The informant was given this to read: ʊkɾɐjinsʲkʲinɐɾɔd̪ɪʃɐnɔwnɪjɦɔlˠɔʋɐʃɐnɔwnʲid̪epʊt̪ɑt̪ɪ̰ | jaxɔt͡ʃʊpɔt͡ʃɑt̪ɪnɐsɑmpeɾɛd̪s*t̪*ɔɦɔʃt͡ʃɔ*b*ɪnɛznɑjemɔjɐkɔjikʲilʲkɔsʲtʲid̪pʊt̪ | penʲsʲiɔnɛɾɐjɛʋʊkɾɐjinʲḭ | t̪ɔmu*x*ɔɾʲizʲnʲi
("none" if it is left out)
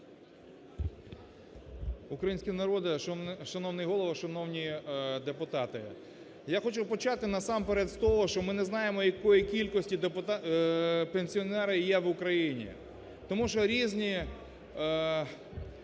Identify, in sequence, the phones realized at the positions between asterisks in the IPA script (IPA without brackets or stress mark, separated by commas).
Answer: t̪, m, ʃ